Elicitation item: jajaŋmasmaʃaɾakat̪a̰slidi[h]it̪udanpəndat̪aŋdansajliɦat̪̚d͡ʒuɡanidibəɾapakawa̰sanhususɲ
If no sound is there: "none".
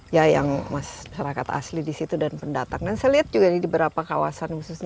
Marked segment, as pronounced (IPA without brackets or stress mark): s